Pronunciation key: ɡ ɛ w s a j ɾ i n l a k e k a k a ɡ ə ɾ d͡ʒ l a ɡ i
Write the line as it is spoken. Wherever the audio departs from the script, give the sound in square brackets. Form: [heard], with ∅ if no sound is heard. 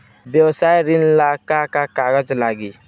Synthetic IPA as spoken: [b] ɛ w s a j ɾ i n l a k [a] k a k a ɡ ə [∅] d͡ʒ l a ɡ i